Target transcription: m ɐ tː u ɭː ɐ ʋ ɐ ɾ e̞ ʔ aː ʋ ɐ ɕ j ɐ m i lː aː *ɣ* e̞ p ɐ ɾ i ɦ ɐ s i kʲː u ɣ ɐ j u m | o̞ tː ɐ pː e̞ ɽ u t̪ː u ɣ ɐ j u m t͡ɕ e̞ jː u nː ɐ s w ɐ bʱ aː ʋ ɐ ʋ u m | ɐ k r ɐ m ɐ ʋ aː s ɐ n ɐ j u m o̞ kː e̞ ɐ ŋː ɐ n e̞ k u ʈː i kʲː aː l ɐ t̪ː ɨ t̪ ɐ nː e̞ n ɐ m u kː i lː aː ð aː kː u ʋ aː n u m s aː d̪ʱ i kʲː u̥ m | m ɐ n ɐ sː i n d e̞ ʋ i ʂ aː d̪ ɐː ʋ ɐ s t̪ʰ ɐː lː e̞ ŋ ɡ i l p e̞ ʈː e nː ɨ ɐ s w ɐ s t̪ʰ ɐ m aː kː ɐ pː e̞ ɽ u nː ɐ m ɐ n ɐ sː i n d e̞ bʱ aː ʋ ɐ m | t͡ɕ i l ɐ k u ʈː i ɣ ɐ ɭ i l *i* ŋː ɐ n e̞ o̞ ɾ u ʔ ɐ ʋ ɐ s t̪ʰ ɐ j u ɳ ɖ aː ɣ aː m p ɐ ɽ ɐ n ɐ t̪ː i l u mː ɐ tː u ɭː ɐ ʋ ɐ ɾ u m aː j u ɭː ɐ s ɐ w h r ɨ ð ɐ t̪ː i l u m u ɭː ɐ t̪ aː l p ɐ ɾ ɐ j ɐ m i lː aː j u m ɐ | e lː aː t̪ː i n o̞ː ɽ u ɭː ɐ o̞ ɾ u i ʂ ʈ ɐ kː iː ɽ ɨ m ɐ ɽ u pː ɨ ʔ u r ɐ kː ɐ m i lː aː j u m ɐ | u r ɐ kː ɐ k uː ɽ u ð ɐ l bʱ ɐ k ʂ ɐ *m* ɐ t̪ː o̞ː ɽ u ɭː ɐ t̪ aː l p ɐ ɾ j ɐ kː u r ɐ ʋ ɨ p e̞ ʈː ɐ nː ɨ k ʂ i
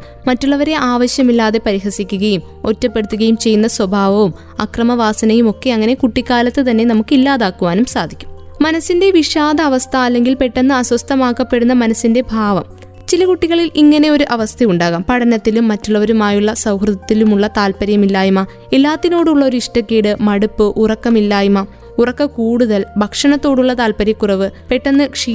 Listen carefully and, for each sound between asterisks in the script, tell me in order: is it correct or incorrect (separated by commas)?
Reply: incorrect, correct, incorrect